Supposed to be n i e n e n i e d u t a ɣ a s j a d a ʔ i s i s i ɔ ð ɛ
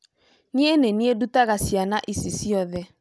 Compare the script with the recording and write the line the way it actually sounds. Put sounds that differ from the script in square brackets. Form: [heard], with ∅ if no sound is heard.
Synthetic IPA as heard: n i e n e n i e d u t a ɣ a s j a [n] a ʔ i s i s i ɔ ð ɛ